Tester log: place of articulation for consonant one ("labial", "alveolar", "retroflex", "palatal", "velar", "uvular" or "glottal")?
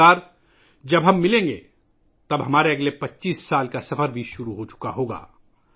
alveolar